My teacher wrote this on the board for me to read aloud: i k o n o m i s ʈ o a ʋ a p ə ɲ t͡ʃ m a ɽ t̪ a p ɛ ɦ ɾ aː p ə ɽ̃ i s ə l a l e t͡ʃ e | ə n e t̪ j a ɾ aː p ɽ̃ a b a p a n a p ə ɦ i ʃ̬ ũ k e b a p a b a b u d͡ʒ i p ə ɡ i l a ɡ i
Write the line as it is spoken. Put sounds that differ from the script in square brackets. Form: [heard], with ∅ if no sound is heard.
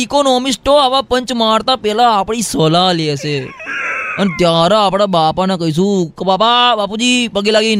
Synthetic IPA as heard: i k o n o m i s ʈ o a ʋ a p ə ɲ t͡ʃ m a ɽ t̪ a p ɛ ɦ [l] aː p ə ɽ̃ i s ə l a l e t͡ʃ e | ə n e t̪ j a ɾ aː p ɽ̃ a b a p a n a [k] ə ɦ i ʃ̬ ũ k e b a p a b a [p] u d͡ʒ i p ə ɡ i l a ɡ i